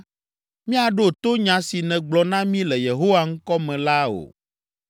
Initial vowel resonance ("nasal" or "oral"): nasal